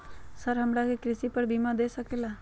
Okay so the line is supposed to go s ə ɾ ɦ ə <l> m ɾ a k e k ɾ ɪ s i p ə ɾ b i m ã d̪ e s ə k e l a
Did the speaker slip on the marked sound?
yes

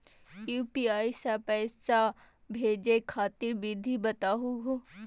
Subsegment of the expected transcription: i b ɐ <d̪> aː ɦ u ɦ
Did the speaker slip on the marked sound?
yes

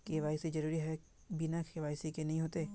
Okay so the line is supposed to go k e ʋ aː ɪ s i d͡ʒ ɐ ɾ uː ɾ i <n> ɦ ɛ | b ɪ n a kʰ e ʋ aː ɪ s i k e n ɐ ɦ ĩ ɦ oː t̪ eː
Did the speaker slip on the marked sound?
yes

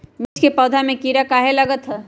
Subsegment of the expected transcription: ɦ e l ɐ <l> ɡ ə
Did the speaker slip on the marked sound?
yes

